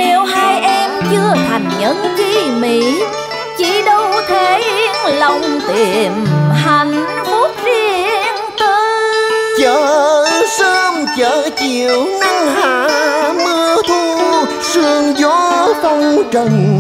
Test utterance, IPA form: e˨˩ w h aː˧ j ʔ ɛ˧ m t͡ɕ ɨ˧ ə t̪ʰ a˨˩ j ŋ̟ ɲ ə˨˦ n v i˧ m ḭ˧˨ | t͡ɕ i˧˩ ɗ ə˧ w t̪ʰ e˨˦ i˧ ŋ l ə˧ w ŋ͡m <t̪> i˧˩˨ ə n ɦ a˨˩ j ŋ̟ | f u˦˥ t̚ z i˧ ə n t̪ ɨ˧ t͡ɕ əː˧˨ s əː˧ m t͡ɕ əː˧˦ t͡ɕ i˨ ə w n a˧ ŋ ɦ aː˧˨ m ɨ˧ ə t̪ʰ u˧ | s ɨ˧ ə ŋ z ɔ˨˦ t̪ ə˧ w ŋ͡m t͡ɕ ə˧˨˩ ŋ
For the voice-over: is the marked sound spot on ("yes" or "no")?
yes